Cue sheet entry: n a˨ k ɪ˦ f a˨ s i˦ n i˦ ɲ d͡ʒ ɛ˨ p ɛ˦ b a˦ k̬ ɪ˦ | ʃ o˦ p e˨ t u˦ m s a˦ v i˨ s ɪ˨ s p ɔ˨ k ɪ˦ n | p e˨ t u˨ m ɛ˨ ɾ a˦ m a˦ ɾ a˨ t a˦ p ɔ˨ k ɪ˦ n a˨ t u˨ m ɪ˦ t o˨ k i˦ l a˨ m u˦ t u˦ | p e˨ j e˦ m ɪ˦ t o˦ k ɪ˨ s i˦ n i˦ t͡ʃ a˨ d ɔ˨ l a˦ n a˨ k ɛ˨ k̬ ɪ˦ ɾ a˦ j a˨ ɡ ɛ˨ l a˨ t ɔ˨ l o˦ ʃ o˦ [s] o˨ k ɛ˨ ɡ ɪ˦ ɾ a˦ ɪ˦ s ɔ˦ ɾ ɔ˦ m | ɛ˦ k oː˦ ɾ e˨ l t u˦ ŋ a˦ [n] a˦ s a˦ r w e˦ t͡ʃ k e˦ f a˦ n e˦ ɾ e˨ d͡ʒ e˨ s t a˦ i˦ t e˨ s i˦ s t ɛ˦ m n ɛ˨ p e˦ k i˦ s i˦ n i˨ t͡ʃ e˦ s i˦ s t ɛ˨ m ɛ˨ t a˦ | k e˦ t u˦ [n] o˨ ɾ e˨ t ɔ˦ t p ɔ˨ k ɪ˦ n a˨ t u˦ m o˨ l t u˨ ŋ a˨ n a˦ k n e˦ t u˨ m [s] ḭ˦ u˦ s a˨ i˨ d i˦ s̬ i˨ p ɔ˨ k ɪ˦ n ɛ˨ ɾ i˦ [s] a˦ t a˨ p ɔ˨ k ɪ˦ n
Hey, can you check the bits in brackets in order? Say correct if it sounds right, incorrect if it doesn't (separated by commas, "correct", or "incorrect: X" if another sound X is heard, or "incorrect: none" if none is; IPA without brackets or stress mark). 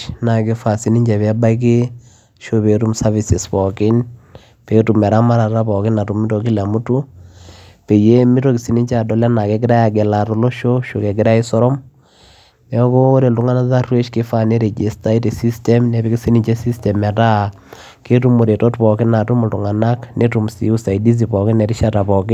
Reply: incorrect: ʃ, correct, incorrect: m, correct, incorrect: ʃ